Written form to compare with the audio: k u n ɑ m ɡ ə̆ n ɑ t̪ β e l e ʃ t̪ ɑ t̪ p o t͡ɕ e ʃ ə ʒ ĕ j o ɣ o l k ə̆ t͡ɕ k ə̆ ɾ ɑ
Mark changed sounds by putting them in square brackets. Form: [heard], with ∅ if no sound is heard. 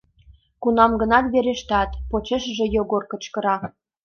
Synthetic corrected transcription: k u n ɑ m ɡ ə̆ n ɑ t̪ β e [ɾ] e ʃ t̪ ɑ t̪ p o t͡ɕ e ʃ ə ʒ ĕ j o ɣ o [r] k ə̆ t͡ɕ k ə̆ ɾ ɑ